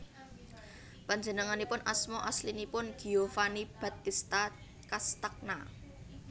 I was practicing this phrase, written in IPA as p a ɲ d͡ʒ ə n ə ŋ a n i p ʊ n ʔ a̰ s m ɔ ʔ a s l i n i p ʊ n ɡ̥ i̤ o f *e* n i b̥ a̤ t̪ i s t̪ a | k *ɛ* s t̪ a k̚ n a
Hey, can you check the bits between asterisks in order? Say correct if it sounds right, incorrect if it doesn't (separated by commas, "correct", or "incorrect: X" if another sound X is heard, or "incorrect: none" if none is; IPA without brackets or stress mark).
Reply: incorrect: a, incorrect: a